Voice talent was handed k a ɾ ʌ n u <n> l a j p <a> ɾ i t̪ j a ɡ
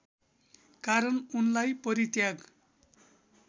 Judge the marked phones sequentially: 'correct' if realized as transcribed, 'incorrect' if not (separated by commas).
correct, incorrect